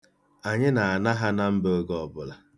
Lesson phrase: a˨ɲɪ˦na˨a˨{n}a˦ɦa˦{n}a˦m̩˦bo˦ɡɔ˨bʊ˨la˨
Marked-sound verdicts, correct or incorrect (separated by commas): correct, correct